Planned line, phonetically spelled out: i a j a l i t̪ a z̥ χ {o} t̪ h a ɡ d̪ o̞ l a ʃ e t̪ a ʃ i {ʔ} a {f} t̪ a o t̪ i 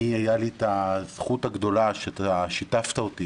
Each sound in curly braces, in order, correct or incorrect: incorrect: u, incorrect: t, correct

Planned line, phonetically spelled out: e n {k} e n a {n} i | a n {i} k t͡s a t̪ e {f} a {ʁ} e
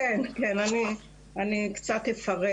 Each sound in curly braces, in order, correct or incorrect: correct, correct, correct, correct, correct

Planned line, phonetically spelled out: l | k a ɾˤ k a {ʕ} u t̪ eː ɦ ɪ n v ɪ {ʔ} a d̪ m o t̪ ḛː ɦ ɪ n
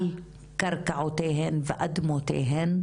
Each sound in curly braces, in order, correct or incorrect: correct, correct

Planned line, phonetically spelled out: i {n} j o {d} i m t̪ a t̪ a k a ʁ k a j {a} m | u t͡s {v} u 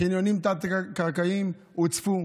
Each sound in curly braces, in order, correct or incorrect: correct, incorrect: n, incorrect: i, incorrect: f

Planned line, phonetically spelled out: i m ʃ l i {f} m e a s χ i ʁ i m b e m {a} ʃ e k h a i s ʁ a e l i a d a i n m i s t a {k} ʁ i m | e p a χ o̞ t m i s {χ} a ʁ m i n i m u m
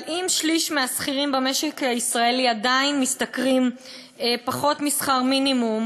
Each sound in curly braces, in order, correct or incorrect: incorrect: ʃ, incorrect: e, correct, correct

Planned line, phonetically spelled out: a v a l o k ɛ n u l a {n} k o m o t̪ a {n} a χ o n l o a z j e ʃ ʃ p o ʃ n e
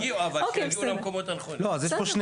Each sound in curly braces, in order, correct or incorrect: incorrect: m, correct

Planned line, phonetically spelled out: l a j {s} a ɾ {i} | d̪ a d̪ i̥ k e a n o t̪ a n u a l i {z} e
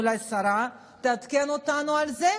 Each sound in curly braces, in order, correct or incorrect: correct, incorrect: a, correct

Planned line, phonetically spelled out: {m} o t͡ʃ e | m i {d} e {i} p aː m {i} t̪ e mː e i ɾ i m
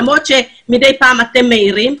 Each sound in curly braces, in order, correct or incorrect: correct, correct, incorrect: j, incorrect: a

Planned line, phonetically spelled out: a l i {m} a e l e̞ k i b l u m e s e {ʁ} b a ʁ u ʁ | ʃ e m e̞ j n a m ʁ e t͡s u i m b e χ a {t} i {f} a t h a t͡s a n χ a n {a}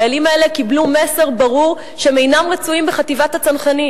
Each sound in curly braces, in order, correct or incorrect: correct, correct, correct, incorrect: v, incorrect: i

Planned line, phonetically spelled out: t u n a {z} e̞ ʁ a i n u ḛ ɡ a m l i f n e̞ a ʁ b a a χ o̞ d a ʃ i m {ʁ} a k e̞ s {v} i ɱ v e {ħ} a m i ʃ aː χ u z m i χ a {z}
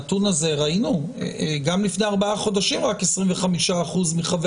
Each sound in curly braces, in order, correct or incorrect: correct, correct, incorrect: ʁ, incorrect: χ, incorrect: v

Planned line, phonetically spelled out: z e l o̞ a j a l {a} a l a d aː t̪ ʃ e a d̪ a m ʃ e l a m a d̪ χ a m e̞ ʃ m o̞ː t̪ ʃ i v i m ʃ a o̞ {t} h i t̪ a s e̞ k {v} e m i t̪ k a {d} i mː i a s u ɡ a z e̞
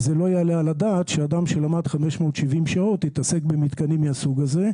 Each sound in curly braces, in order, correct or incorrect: incorrect: e, correct, incorrect: b, incorrect: n

